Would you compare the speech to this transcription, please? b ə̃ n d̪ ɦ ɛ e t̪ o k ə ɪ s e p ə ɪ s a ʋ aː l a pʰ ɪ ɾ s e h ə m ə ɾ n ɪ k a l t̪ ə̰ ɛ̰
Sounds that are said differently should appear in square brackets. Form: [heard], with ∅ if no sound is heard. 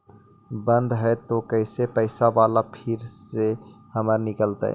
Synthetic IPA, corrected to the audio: b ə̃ n d̪ ɦ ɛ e t̪ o k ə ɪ s e p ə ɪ s a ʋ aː l a pʰ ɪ ɾ s e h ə m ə ɾ n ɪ k [ə] l t̪ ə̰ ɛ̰